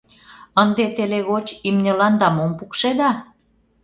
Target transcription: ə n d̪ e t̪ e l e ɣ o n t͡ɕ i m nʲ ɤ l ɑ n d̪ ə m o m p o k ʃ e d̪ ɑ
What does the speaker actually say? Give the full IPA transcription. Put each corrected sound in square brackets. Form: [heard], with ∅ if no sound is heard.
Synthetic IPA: ə n d̪ e t̪ e l e ɣ o [∅] t͡ɕ i m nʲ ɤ l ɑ n d̪ [ɑ] m o m p [u] k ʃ e d̪ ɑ